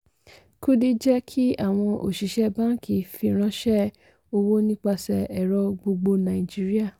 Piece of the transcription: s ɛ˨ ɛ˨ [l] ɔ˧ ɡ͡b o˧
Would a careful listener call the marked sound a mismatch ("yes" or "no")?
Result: yes